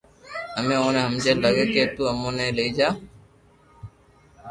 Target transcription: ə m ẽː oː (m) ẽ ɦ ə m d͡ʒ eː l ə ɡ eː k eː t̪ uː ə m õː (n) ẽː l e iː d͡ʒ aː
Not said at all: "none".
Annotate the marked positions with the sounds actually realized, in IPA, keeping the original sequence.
n, n

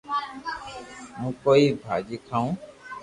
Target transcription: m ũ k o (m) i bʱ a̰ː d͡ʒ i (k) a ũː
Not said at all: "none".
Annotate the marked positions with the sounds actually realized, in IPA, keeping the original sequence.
none, kʰ

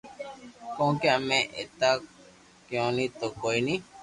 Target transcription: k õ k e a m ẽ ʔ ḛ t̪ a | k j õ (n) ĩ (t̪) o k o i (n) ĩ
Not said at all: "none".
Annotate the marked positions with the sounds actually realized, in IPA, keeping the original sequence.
n, t̪, n

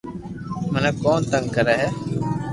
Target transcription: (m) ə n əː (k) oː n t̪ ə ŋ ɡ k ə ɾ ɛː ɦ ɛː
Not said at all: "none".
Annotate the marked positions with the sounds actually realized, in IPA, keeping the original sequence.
m, k

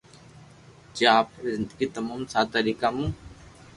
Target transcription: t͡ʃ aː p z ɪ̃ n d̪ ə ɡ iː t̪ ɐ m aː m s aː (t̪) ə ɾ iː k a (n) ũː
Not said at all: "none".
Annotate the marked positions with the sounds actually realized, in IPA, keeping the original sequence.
t̪, m

